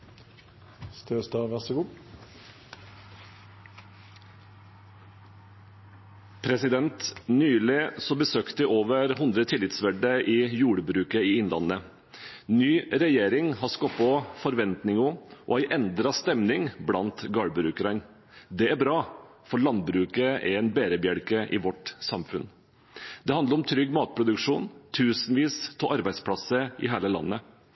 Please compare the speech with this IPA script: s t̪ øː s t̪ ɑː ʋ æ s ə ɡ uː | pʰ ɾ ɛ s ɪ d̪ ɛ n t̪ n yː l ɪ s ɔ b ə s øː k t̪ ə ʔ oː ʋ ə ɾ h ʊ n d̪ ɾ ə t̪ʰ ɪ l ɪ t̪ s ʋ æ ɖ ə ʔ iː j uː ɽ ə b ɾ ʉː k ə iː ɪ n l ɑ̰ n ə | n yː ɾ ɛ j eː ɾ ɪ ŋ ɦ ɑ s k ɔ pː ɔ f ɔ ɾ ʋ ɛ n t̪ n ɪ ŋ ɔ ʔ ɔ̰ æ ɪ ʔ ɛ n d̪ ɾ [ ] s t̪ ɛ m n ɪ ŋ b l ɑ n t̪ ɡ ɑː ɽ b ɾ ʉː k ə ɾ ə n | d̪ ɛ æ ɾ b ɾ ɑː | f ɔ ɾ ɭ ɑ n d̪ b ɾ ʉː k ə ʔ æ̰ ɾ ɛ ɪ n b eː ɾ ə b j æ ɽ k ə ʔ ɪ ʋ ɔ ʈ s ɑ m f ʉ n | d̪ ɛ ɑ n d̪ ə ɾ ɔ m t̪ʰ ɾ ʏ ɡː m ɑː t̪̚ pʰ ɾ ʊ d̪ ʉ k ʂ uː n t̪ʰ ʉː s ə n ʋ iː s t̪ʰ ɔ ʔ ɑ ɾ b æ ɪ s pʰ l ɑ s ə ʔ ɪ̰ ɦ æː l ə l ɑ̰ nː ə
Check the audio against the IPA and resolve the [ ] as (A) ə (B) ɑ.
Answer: B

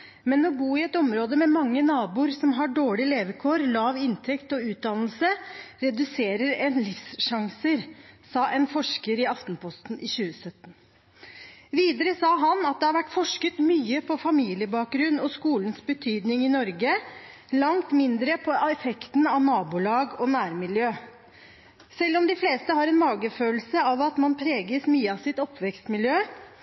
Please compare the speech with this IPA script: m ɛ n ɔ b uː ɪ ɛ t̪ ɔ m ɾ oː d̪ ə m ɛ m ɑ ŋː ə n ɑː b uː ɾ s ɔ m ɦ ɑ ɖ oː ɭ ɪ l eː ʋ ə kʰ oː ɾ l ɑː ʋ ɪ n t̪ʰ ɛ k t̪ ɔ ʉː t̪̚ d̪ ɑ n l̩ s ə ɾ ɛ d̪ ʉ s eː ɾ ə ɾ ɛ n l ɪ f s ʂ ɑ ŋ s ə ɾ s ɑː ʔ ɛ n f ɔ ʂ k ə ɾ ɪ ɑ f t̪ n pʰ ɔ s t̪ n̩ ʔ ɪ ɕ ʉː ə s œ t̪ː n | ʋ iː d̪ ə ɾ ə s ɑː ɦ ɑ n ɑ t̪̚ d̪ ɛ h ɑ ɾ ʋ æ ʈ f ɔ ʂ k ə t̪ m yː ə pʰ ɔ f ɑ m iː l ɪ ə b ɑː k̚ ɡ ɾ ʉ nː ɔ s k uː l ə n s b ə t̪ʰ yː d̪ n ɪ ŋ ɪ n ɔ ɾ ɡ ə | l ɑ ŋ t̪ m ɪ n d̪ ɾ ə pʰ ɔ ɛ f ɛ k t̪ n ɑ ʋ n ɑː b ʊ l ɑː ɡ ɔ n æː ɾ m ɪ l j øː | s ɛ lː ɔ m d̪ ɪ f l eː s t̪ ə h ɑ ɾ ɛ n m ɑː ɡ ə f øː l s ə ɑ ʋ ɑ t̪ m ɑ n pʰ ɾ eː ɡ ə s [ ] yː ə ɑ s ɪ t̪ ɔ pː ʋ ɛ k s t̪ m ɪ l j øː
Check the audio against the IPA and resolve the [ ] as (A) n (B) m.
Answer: B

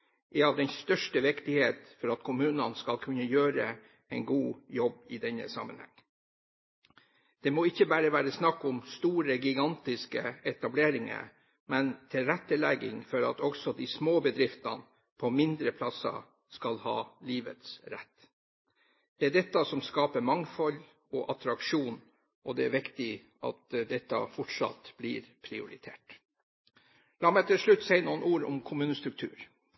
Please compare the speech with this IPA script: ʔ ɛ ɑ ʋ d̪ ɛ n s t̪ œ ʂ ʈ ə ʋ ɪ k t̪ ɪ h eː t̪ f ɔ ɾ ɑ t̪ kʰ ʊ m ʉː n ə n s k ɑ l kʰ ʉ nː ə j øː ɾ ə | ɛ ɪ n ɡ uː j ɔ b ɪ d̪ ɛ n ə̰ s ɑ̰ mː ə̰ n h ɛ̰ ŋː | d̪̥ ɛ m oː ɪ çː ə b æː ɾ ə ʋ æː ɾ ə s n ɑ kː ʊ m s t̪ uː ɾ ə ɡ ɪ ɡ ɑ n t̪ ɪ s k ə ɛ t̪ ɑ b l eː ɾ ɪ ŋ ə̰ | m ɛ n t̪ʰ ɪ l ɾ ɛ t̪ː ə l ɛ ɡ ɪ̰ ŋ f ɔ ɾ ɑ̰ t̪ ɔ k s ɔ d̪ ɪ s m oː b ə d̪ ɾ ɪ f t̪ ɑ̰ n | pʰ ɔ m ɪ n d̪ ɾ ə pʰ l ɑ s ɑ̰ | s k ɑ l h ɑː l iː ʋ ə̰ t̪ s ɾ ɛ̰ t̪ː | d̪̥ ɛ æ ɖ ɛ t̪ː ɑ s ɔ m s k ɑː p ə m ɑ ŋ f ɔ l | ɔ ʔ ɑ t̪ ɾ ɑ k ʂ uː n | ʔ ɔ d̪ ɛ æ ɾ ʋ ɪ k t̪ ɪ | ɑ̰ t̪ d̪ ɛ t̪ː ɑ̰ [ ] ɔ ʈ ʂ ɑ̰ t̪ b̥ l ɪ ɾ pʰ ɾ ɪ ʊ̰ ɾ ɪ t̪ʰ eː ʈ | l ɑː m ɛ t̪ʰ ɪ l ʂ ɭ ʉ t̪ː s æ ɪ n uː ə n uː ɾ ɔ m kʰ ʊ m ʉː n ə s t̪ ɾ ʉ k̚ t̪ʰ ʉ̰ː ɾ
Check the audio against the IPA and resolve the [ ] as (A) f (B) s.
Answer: A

